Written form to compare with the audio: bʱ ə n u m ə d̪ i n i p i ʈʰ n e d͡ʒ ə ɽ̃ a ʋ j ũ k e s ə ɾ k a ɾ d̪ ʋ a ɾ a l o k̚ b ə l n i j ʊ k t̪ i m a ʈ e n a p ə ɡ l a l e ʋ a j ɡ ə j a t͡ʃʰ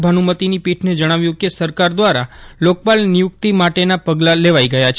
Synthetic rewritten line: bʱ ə n u m ə t̪ i n i p i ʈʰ n e d͡ʒ ə ɽ̃ a ʋ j ũ k e s ə ɾ k a ɾ d̪ ʋ a ɾ a l o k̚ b a l n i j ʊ k t̪ i m a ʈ e n a p ə ɡ l a l e ʋ a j ɡ ə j a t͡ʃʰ